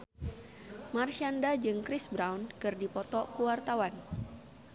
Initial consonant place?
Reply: labial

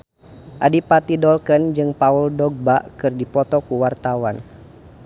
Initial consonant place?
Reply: glottal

